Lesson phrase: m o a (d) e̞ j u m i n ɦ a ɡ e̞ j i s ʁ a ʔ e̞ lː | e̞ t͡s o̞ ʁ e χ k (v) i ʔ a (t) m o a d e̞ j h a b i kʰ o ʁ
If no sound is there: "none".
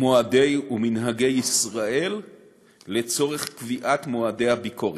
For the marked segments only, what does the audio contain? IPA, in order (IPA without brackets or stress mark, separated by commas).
d, v, t